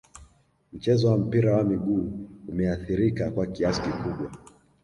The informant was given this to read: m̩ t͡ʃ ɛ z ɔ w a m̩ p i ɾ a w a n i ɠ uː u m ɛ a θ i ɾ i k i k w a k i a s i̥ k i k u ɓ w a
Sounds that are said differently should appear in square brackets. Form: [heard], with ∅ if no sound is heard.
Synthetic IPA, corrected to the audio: m̩ t͡ʃ ɛ z ɔ w a m̩ p i ɾ a w a [m] i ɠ uː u m ɛ a θ i ɾ i k [a] k w a k i a s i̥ k i k u ɓ w a